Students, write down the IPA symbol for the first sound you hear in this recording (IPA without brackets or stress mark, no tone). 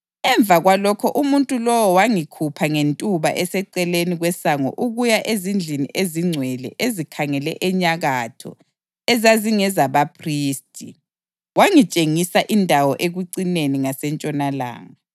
ɛ